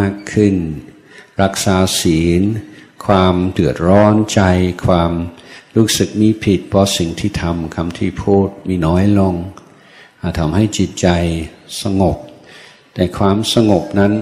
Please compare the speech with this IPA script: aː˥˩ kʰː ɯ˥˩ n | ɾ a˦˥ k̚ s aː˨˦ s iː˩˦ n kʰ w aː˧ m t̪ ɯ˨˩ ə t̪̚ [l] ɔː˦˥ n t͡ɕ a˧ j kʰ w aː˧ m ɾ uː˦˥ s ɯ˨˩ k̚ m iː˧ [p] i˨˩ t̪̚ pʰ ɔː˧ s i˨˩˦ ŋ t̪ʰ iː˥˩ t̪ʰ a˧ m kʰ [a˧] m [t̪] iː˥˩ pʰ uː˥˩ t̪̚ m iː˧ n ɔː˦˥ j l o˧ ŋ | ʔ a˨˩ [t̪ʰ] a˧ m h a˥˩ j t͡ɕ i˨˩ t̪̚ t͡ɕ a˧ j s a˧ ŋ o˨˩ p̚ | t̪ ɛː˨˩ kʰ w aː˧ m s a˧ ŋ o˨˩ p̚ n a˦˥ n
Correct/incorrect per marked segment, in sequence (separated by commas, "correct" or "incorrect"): incorrect, incorrect, correct, incorrect, correct